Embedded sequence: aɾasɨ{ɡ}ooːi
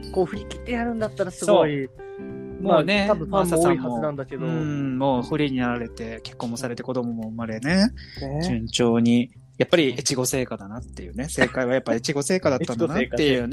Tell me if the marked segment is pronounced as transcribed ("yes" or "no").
yes